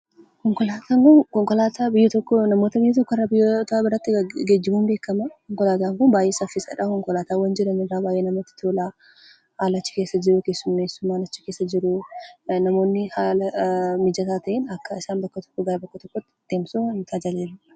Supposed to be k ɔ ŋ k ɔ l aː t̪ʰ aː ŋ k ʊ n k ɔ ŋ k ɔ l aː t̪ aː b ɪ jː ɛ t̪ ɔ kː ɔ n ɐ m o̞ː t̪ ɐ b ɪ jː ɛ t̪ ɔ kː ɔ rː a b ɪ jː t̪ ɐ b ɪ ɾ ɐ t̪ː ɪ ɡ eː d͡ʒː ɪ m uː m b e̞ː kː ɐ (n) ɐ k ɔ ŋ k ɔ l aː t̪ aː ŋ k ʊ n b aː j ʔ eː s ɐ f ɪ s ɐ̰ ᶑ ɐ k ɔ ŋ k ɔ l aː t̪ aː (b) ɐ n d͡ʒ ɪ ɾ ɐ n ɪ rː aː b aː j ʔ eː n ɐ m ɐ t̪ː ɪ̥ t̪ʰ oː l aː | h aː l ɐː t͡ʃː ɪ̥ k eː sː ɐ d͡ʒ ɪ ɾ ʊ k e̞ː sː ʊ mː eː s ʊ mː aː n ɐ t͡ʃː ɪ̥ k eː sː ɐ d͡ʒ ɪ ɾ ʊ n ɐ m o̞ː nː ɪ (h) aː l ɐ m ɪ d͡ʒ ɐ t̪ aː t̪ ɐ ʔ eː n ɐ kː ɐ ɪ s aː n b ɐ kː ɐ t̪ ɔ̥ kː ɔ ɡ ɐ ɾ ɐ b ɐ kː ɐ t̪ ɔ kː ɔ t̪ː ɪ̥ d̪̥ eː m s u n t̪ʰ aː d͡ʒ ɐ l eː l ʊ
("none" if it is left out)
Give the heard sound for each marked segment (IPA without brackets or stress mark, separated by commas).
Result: m, w, h